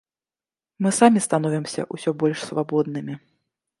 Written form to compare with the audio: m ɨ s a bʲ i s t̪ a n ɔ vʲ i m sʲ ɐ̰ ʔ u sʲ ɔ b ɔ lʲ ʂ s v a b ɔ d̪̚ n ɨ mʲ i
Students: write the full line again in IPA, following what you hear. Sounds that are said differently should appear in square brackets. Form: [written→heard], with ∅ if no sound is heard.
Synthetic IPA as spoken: m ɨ s a [bʲ→mʲ] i s t̪ a n ɔ vʲ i m sʲ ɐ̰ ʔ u sʲ ɔ b ɔ lʲ ʂ s v a b ɔ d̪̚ n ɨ mʲ i